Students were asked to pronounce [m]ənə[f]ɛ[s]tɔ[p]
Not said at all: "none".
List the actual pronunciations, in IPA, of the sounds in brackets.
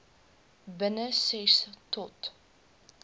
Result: b, s, s, t

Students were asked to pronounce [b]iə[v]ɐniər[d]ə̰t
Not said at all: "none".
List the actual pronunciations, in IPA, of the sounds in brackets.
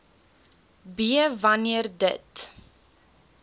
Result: b, v, d

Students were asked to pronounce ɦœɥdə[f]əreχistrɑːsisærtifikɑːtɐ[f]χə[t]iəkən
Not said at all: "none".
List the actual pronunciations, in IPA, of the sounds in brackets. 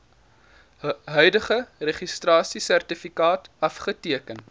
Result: χ, f, t

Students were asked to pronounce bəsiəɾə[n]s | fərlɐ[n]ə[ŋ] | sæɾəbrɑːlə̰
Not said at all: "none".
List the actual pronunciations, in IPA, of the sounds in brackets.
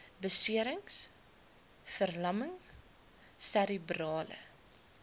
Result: ŋ, m, ŋ

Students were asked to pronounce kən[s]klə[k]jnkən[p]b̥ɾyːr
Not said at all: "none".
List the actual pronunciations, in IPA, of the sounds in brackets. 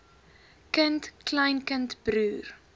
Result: t, none, t

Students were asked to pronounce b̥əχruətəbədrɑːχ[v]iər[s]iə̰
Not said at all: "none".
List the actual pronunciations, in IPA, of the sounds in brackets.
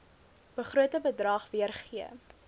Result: v, χ

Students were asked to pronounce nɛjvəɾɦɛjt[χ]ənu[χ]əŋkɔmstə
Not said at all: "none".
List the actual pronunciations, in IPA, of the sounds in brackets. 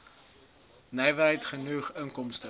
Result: χ, χ

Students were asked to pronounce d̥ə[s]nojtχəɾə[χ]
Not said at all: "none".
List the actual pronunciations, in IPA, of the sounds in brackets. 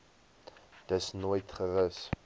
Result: s, s

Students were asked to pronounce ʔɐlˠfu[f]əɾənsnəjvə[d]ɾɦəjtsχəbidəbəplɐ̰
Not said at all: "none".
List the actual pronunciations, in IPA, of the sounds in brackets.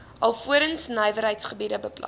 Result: none, none

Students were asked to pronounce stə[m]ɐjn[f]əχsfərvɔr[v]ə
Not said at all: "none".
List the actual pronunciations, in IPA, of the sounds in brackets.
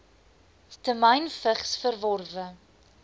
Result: m, f, v

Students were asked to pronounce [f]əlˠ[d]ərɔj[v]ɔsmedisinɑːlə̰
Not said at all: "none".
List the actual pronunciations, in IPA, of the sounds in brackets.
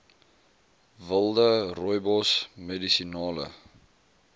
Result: v, d, b

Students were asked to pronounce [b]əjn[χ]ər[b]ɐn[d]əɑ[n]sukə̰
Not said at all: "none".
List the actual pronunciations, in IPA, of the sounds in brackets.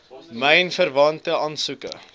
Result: m, f, v, t, n

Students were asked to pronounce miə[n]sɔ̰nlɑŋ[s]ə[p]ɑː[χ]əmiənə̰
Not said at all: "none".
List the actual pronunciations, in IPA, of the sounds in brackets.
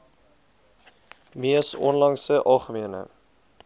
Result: none, s, ʔ, χ

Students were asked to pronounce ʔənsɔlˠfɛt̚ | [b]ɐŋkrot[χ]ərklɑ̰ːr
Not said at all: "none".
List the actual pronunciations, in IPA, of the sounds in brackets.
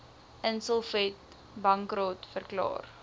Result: b, f

